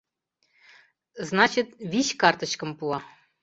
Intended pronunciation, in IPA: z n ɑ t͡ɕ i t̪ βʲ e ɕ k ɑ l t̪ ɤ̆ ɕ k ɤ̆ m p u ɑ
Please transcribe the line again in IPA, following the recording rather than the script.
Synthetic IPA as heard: z n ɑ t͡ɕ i t̪ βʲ i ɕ k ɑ r t̪ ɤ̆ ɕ k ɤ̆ m p u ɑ